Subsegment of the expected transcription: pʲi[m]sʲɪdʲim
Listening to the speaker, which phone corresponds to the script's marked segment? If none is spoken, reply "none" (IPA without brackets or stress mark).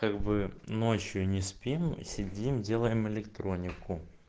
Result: m